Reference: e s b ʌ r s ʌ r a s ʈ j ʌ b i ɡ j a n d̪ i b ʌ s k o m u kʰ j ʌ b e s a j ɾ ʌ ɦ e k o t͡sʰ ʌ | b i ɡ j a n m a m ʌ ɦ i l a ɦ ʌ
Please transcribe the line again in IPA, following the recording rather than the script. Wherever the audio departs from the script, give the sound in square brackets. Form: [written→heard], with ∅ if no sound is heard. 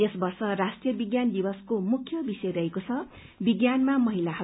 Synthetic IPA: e s b ʌ r s ʌ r a s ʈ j ʌ b i ɡ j a n d̪ i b ʌ s k o m u kʰ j ʌ b [e→i] s [a→ʌ] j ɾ ʌ ɦ e k o t͡sʰ ʌ | b i ɡ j a n m a m ʌ ɦ i l a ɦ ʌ